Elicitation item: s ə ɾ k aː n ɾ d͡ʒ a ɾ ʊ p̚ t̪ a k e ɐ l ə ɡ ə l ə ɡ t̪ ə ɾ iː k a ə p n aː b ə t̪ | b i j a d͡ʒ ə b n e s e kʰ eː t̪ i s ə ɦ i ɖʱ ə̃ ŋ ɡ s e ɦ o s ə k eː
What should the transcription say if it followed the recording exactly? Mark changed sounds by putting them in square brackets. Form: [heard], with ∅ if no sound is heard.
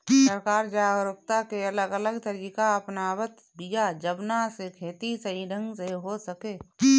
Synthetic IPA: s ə ɾ k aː [∅] ɾ d͡ʒ a ɾ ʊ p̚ t̪ a k e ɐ l ə ɡ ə l ə ɡ t̪ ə ɾ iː k a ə p n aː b ə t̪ | b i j a d͡ʒ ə b n [a] s e kʰ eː t̪ i s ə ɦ i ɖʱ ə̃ ŋ ɡ s e ɦ o s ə k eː

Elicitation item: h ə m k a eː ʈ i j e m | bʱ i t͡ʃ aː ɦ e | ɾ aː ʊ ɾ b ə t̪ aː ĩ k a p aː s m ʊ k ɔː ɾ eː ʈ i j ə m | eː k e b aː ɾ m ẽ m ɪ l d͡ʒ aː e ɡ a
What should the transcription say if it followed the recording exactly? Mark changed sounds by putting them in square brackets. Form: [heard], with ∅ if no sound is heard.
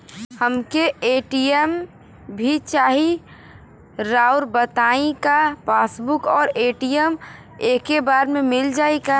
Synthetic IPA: h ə m k [e] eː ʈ i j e m | bʱ i t͡ʃ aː ɦ [i] | ɾ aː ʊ ɾ b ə t̪ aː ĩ k a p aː s [b] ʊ k ɔː ɾ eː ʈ i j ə m | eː k e b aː ɾ m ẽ m ɪ l d͡ʒ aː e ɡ a

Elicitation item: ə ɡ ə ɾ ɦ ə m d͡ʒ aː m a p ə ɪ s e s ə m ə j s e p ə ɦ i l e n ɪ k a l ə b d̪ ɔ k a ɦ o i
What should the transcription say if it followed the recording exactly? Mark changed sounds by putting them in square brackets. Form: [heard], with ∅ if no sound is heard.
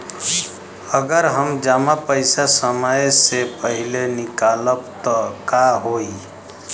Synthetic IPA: ə ɡ ə ɾ ɦ ə m d͡ʒ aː m a p ə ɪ s [a] s ə m ə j s e p ə ɦ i l e n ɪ k a l ə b [t̪] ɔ k a ɦ o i

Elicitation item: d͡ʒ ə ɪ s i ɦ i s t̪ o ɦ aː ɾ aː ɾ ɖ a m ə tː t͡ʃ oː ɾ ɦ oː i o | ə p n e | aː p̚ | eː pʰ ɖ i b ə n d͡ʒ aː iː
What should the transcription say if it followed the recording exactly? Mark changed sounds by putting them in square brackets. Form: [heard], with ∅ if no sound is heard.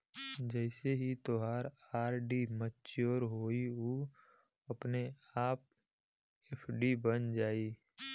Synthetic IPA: d͡ʒ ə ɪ s [e] ɦ i [∅] t̪ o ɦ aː ɾ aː ɾ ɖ [i] m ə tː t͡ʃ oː ɾ ɦ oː i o | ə p n e | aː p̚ | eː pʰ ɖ i b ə n d͡ʒ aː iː

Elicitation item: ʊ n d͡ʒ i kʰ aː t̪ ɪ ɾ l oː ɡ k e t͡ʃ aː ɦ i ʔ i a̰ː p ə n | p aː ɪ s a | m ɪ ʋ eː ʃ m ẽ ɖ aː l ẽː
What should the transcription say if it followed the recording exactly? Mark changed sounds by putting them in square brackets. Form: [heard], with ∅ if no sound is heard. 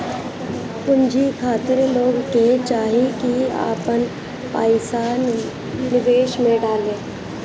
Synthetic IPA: ʊ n d͡ʒ i kʰ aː t̪ ɪ ɾ l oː ɡ k e t͡ʃ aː ɦ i [k] i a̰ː p ə n | p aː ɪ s a | [n] ɪ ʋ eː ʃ m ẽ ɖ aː l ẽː

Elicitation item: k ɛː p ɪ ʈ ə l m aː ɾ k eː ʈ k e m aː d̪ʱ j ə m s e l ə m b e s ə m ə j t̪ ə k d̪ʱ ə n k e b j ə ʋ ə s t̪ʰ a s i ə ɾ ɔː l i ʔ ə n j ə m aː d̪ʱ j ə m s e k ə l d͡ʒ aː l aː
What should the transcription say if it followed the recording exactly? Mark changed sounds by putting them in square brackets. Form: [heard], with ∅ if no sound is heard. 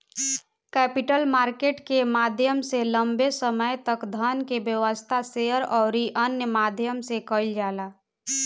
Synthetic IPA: k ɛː p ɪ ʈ ə l m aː ɾ k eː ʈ k e m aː d̪ʱ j ə m s e l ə m b e s ə m ə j t̪ ə k d̪ʱ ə n k e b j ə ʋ ə s t̪ʰ a s [e] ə ɾ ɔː [ɾ] i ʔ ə n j ə m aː d̪ʱ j ə m s e k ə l d͡ʒ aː l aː

